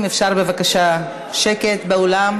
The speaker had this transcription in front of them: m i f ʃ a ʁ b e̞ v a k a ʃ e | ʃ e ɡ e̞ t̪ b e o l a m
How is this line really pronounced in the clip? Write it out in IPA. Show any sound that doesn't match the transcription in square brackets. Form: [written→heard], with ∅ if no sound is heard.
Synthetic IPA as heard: m [i→e] f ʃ a ʁ b e̞ v a k a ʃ [e→a] | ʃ e [ɡ→k] e̞ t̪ b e o l a m